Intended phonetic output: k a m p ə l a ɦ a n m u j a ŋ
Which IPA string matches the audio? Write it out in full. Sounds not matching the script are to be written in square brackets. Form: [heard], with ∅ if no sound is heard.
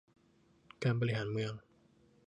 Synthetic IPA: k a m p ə l [i] ɦ a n m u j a ŋ